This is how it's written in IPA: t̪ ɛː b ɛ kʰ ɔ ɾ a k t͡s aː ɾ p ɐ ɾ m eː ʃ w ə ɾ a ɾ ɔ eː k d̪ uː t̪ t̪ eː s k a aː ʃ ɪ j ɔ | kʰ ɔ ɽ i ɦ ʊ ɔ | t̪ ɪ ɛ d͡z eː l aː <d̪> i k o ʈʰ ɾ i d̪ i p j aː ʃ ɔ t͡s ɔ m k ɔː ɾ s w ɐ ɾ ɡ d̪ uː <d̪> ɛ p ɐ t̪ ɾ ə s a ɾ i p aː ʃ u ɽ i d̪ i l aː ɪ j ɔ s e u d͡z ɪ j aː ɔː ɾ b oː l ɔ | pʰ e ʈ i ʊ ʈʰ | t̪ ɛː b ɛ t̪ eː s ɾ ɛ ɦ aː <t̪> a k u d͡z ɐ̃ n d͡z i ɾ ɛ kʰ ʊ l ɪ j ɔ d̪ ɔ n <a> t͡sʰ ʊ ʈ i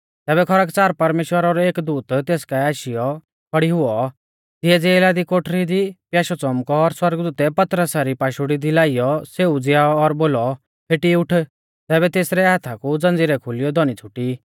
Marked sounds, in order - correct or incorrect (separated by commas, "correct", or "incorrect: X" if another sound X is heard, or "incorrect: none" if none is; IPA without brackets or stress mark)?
correct, incorrect: t̪, incorrect: t̪ʰ, incorrect: i